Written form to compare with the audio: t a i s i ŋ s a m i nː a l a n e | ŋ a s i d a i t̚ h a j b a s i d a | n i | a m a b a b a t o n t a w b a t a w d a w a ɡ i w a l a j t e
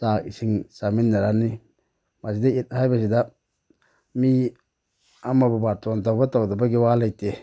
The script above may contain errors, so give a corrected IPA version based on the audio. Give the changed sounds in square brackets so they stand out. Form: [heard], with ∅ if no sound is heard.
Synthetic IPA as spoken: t a i s i ŋ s a m i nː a [ɾ] a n [i] | [m] a s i d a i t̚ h a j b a s i d a | [m] i | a m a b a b a t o n t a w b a t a w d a [b] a ɡ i w a l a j t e